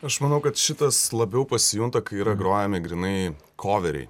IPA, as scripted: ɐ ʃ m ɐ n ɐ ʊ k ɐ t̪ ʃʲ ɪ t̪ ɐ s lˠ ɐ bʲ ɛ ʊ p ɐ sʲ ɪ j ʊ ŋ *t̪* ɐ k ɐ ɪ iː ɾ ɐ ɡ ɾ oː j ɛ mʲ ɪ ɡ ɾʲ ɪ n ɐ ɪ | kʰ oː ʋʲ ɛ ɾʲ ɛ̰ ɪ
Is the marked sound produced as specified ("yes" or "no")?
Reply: yes